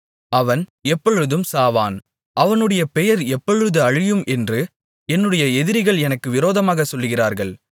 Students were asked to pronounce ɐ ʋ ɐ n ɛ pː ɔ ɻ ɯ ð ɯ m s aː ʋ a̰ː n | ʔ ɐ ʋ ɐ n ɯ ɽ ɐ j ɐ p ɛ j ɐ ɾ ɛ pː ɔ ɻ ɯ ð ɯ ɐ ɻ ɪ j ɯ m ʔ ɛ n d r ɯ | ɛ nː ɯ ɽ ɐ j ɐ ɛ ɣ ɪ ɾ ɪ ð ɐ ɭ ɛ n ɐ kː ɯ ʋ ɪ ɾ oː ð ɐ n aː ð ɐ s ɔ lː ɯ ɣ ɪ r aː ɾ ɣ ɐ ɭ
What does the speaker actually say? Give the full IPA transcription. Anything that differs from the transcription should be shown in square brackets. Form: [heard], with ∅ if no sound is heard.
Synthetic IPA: ɐ ʋ ɐ n ɛ pː ɔ ɻ ɯ ð ɯ m s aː ʋ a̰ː n | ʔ ɐ ʋ ɐ n ɯ ɽ ɐ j ɐ p ɛ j ɐ ɾ ɛ pː ɔ ɻ ɯ ð ɯ ɐ ɻ ɪ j ɯ m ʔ ɛ n d r ɯ | ɛ nː ɯ ɽ ɐ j ɐ ɛ [ð] ɪ ɾ ɪ [ɣ] ɐ ɭ ɛ n ɐ kː ɯ ʋ ɪ ɾ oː ð ɐ [m] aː [ɣ] ɐ s ɔ lː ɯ ɣ ɪ r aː ɾ ɣ ɐ ɭ